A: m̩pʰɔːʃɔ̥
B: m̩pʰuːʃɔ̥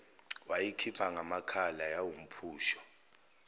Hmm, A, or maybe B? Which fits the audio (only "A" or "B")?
B